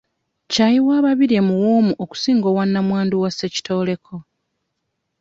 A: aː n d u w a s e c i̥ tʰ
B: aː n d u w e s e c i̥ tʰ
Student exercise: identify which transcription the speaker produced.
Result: A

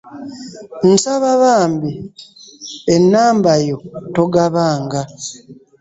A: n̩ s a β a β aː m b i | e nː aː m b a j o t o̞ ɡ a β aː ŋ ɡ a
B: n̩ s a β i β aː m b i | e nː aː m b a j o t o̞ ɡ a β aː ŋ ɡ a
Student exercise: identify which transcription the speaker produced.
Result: A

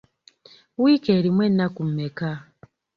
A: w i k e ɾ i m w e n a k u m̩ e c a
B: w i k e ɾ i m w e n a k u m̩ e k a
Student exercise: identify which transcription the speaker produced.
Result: B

